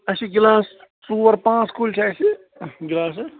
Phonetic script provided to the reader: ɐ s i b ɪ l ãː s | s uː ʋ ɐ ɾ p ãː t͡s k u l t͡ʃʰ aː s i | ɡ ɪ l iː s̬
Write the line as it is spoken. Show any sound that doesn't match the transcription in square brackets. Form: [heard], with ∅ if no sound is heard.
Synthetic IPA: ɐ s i [ɡ] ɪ l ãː s | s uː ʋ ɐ ɾ p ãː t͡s k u l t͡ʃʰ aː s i | ɡ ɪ l [aː] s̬